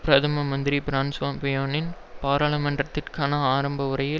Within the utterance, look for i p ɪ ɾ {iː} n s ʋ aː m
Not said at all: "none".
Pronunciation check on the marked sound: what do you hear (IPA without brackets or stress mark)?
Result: aː